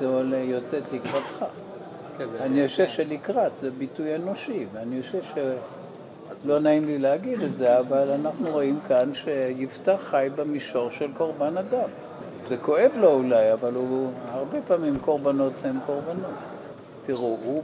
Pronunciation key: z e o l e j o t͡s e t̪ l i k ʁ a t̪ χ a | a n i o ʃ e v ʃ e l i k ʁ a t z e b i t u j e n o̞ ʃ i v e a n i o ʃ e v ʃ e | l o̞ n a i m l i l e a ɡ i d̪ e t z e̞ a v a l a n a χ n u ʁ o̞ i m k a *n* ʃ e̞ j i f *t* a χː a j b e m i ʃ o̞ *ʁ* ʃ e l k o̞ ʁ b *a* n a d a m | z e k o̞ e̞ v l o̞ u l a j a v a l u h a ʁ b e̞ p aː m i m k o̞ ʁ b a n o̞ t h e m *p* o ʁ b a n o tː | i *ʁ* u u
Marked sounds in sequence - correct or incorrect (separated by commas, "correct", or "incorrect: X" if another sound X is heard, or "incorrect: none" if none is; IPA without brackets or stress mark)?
correct, correct, correct, correct, incorrect: k, correct